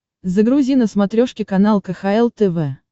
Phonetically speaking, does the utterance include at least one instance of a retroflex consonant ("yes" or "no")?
yes